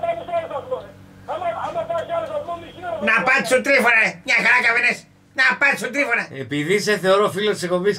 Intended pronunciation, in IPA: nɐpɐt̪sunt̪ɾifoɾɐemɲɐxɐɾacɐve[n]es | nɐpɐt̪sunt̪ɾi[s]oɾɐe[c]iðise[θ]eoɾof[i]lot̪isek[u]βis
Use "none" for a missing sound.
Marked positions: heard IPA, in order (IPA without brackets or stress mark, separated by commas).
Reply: n, f, p, θ, i, o